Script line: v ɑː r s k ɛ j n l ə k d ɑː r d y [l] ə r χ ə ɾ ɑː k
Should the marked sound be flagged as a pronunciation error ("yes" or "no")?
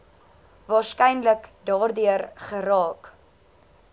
yes